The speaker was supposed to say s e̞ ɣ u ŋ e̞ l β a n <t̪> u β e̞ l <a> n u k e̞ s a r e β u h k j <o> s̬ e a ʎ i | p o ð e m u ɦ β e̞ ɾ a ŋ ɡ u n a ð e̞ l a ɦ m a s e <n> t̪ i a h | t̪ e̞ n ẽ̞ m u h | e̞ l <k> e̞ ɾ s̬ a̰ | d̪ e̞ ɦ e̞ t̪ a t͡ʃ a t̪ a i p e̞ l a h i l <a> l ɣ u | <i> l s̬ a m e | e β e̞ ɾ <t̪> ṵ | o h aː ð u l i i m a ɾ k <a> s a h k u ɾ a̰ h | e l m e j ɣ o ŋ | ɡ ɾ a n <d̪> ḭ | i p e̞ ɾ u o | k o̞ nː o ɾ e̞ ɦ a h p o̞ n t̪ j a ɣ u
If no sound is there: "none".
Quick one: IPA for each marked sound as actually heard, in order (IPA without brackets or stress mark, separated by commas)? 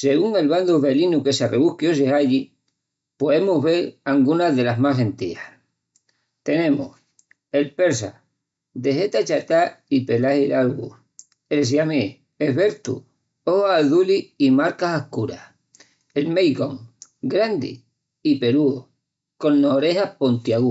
d̪, i, o, n, p, a, e, t̪, a, d̪